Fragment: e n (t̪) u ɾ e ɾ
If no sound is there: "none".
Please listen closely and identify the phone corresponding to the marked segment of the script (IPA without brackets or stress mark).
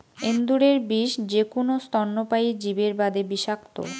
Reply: d̪